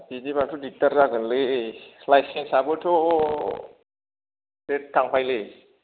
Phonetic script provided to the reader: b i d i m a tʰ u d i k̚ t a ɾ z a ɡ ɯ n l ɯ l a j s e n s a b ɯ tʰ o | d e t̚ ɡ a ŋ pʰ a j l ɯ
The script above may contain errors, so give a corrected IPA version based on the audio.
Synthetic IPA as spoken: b i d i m a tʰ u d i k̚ t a ɾ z a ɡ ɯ n l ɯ l a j s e n s a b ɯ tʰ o | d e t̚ k a ŋ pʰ a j l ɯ

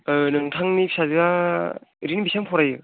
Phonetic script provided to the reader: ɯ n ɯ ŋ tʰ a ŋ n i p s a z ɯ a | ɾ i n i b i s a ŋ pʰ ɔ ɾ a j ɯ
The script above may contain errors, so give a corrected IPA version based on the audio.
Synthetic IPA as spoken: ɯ n ɯ ŋ tʰ a ŋ n i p s a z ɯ a | ɾ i n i b i s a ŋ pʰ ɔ ɾ a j ɯ

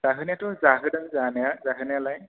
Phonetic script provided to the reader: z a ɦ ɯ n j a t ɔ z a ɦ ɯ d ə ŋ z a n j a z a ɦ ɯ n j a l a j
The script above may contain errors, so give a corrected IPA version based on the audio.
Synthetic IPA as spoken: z a ɦ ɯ n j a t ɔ z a ɦ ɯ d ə n z a n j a z a ɦ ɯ n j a l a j

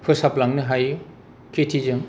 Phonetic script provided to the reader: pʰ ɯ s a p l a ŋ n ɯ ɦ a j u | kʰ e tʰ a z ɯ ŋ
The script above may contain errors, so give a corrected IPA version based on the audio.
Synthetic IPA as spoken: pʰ ɯ s a p l a ŋ n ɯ ɦ a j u | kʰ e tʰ i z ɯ ŋ

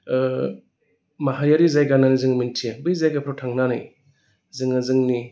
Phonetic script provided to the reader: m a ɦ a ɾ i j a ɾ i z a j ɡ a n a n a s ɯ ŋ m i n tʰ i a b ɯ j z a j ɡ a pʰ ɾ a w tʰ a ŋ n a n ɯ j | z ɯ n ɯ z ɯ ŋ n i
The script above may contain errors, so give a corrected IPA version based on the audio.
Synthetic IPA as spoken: m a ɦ a ɾ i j a ɾ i z a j ɡ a n a n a z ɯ ŋ m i n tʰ i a b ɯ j z a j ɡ a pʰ ɾ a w tʰ a ŋ n a n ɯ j | z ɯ ŋ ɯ z ɯ ŋ n i

